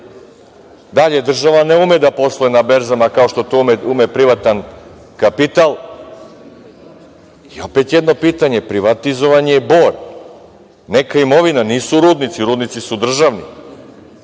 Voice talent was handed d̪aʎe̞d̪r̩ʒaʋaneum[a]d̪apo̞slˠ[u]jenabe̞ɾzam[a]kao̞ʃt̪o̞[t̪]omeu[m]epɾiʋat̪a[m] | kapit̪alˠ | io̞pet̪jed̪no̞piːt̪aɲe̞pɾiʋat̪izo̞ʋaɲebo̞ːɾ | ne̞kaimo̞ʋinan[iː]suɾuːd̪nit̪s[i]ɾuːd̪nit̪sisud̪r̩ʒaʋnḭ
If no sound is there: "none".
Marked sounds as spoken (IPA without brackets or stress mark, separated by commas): e, o, a, t̪, m, n, iː, i